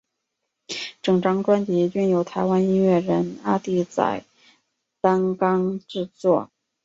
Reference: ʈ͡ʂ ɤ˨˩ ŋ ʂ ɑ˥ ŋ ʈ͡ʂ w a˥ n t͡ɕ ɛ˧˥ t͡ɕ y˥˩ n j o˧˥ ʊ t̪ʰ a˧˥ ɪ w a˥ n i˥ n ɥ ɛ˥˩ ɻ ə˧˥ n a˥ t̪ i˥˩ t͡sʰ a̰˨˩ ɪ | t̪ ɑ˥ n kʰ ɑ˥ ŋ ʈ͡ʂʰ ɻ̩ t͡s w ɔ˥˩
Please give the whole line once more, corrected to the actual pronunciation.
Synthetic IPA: ʈ͡ʂ ɤ˨˩ ŋ ʈ͡ʂ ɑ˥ ŋ ʈ͡ʂ w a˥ n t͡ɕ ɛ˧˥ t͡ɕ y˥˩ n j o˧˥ ʊ t̪ʰ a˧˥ ɪ w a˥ n i˥ n ɥ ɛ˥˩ ɻ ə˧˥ n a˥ t̪ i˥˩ t͡s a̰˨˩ ɪ | t̪ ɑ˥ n k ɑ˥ ŋ ʈ͡ʂ ɻ̩ t͡s w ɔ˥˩